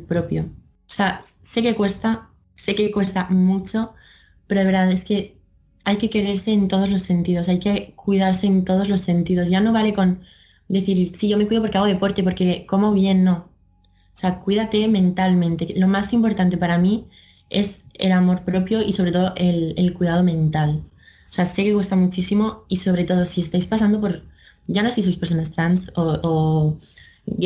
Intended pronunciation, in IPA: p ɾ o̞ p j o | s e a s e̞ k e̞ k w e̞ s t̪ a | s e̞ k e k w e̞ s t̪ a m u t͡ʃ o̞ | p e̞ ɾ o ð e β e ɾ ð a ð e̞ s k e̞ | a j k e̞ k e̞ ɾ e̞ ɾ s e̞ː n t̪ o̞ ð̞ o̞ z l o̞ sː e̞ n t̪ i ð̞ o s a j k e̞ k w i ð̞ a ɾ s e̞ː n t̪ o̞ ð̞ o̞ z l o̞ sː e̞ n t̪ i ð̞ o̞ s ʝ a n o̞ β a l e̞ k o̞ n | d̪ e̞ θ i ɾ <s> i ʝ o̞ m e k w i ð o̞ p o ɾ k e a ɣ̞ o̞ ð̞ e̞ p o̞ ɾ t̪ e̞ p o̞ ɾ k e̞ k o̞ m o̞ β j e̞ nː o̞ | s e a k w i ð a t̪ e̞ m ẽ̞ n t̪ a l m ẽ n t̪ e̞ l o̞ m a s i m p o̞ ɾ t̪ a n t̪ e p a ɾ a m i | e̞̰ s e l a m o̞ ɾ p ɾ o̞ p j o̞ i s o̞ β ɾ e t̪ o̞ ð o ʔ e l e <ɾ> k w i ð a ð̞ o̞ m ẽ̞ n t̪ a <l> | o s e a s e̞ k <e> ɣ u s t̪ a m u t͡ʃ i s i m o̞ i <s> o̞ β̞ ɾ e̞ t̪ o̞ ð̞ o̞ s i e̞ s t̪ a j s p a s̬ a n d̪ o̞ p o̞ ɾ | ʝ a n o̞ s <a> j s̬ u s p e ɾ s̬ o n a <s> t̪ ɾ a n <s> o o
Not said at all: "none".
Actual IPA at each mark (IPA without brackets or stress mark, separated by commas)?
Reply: s, l, l, e, s, e, s, s